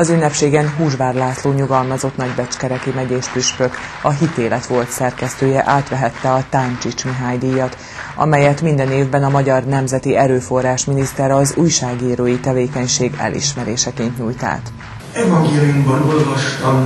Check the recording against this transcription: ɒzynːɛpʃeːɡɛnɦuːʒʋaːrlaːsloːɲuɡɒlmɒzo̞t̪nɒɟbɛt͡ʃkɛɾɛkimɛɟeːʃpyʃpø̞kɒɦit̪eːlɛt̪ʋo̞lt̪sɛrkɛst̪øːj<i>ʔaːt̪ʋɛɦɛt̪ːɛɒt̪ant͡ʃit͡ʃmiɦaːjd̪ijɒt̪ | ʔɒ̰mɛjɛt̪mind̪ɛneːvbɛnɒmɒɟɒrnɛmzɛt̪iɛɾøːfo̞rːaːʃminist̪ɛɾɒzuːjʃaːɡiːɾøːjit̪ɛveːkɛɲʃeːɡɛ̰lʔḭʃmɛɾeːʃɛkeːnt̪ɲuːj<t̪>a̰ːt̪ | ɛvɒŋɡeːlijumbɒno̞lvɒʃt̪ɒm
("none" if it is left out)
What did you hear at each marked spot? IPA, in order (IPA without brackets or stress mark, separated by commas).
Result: ɛ, t̪